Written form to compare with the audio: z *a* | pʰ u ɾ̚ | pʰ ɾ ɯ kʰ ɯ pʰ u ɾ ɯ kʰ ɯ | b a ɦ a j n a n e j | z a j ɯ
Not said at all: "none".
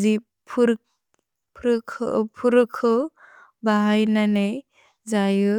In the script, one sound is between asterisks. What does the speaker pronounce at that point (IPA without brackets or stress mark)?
i